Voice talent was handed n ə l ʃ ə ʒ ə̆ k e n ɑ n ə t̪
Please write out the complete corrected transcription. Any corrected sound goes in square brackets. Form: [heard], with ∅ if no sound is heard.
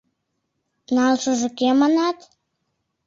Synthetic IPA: n [ɑ] l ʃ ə ʒ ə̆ k e [m] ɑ n [ɑ] t̪